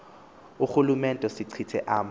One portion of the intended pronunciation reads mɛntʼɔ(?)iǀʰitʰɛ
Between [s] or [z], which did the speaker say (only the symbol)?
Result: s